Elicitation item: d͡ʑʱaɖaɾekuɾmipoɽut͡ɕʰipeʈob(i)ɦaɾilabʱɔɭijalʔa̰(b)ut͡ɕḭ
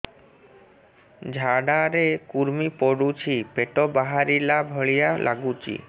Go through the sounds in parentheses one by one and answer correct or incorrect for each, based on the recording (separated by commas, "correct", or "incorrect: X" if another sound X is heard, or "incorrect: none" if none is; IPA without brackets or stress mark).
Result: incorrect: a, incorrect: ɡ